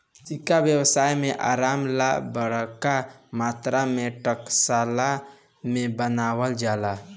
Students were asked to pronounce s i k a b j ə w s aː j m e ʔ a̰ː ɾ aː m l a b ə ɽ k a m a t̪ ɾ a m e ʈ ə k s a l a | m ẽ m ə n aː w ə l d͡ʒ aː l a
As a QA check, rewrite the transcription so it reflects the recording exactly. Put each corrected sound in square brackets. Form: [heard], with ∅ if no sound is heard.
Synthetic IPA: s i k a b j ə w s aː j m e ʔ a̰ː ɾ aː m l a b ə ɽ k a m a t̪ ɾ a m e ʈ ə k s a l a | m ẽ [b] ə n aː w ə l d͡ʒ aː l a